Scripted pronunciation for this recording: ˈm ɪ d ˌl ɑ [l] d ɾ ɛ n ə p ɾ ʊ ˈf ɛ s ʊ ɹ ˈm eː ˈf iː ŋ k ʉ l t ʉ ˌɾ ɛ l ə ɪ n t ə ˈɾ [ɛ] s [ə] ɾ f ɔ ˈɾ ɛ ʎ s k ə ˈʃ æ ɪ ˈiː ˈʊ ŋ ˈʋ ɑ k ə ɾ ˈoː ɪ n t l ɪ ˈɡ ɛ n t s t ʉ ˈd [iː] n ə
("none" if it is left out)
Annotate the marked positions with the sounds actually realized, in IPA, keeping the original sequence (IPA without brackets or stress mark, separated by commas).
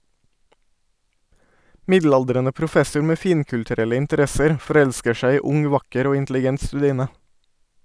l, ɛ, ə, iː